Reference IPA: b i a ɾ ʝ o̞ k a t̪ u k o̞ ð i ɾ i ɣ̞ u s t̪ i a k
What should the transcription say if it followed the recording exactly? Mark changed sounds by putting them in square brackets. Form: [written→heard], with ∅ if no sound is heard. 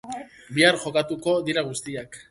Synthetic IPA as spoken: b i a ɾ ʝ o̞ k a t̪ u k o̞ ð i ɾ [i→a] ɣ̞ u s t̪ i a k

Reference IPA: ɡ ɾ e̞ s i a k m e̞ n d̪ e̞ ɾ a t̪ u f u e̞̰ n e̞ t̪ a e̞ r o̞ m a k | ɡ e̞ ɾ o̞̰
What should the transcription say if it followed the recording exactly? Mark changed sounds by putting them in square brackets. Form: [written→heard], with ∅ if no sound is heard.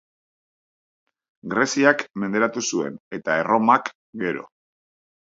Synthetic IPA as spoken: ɡ ɾ e̞ s i a k m e̞ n d̪ e̞ ɾ a t̪ u [f→s] u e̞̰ n e̞ t̪ a e̞ r o̞ m a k | ɡ e̞ ɾ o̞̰

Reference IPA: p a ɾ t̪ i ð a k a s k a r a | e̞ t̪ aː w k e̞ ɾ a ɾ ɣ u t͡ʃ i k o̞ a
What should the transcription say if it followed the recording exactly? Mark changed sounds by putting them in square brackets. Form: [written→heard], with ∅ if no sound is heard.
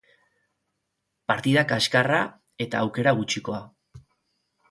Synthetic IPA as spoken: p a ɾ t̪ i ð a k a s k a r a | e̞ t̪ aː w k e̞ ɾ a [ɾ→∅] ɣ u t͡ʃ i k o̞ a

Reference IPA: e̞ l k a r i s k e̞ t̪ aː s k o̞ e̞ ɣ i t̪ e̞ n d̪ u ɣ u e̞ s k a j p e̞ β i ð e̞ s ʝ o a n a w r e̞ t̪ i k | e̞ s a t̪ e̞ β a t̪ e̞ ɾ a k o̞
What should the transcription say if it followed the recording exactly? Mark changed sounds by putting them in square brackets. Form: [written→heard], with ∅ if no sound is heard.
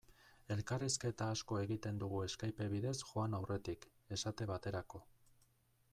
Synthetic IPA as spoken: e̞ l k a r i s k e̞ t̪ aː s k o̞ e̞ ɣ i t̪ e̞ n d̪ u ɣ u e̞ s k a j p e̞ β i ð e̞ s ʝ o a n a w r e̞ t̪ i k | e̞ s a t̪ e̞ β a t̪ e̞ ɾ a k o̞

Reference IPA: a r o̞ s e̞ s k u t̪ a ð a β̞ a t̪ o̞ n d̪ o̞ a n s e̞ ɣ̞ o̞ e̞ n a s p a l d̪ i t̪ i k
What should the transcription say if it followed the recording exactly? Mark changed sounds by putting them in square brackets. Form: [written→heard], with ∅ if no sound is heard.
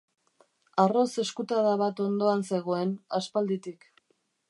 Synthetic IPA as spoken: a r o̞ s e̞ s k u t̪ a ð a β̞ a t̪ o̞ n d̪ o̞ a n s e̞ ɣ̞ o̞ e̞ n a s p a l d̪ i t̪ i k

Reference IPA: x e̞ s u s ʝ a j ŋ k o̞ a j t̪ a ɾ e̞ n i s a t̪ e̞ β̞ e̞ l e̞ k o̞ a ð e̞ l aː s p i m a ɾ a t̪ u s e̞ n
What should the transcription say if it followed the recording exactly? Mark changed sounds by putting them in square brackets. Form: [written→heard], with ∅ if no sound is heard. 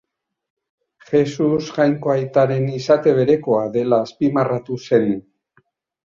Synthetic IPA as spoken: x e̞ s u s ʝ a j ŋ k o̞ a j t̪ a ɾ e̞ n i s a t̪ e̞ β̞ e̞ [l→ɾ] e̞ k o̞ a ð e̞ l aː s p i m a [ɾ→r] a t̪ u s e̞ n

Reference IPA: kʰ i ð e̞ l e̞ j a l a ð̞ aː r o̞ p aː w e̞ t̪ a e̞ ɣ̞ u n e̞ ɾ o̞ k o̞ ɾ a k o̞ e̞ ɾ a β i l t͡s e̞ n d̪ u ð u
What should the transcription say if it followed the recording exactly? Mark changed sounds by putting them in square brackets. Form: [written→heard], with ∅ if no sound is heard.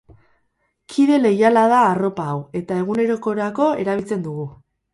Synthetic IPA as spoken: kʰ i ð e̞ l e̞ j a l a ð̞ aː r o̞ p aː w e̞ t̪ a e̞ ɣ̞ u n e̞ ɾ o̞ k o̞ ɾ a k o̞ e̞ ɾ a β i l t͡s e̞ n d̪ u [ð→ɣ] u

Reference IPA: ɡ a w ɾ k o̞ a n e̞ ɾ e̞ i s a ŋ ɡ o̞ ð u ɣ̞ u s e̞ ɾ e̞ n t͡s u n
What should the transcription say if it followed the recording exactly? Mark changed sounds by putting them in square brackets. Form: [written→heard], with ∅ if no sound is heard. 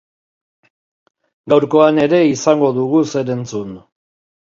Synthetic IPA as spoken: ɡ a w ɾ k o̞ a n e̞ ɾ e̞ i s a ŋ ɡ o̞ ð u ɣ̞ u s e̞ ɾ e̞ n t͡s u n

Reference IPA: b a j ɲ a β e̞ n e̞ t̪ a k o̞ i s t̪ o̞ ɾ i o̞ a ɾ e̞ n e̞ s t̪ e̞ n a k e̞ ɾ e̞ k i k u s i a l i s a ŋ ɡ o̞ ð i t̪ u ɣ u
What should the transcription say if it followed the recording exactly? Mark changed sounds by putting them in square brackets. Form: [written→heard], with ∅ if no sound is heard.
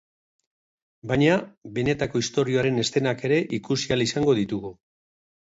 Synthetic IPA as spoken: b a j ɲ a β e̞ n e̞ t̪ a k o̞ i s t̪ o̞ ɾ i o̞ a ɾ e̞ n e̞ s t̪ e̞ n a k e̞ ɾ e̞ [k→ʔ] i k u s i a l i s a ŋ ɡ o̞ ð i t̪ u ɣ u

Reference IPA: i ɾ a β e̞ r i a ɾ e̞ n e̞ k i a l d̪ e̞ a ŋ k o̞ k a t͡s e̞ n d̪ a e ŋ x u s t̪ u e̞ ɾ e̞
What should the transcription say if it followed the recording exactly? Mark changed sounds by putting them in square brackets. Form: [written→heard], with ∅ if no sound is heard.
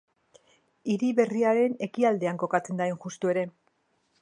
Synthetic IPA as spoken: i ɾ [a→i] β e̞ r i a ɾ e̞ n e̞ k i a l d̪ e̞ a ŋ k o̞ k a t͡s e̞ n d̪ a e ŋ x u s t̪ u e̞ ɾ e̞

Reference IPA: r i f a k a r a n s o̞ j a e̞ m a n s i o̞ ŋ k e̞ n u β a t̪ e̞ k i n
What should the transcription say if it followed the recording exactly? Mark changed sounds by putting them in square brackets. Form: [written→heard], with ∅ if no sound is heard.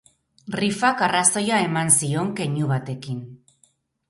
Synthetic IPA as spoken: r i f a k a r a [n→∅] s o̞ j a e̞ m a n s i o̞ ŋ k e̞ [n→ɲ] u β a t̪ e̞ k i n

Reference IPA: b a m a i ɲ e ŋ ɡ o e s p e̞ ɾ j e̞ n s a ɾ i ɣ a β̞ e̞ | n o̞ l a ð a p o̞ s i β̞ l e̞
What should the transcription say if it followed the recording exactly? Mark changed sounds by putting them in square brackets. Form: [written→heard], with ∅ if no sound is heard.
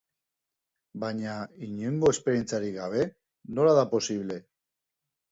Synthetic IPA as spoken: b a [m→ɲ] a i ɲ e ŋ ɡ o e s p e̞ ɾ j e̞ n [s→t͡s] a ɾ i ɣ a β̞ e̞ | n o̞ l a ð a p o̞ s i β̞ l e̞

